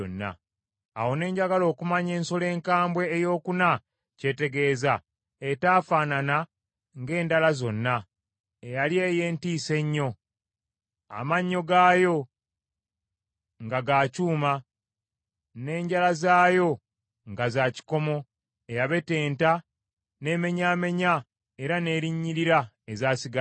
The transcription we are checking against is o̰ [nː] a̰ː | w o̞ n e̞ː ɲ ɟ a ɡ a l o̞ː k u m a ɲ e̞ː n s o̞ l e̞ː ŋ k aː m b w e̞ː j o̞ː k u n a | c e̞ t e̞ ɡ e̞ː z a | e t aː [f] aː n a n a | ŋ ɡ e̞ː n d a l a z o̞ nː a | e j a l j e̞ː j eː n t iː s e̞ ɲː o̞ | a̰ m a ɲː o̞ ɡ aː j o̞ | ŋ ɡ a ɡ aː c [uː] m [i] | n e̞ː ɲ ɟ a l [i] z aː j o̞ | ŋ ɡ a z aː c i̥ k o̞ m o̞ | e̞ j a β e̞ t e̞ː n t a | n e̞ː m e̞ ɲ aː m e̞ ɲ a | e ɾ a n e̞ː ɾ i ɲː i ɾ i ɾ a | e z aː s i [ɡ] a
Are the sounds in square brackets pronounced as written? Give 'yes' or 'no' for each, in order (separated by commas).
yes, yes, yes, no, no, yes